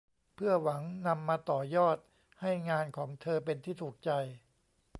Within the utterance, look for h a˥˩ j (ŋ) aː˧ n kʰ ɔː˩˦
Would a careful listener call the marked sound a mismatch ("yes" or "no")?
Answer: no